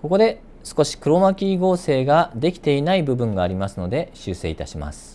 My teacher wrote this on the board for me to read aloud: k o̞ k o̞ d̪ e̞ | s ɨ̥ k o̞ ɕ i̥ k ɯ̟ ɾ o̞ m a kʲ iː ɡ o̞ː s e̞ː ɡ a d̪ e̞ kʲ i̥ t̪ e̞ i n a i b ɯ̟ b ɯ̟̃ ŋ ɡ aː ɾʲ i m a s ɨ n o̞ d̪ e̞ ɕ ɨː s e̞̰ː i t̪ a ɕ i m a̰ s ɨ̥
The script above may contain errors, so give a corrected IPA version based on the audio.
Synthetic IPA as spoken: k o̞ k o̞ d̪ e̞ | s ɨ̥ k o̞ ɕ i̥ k ɯ̟ ɾ o̞ m a kʲ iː ɡ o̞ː s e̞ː ɡ a d̪ e̞ kʲ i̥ t̪ e̞ i n a i b ɯ̟ b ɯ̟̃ ŋ ɡ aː ɾʲ i m a s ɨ n o̞ d̪ e̞ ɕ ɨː s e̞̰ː i t̪ a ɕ i m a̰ s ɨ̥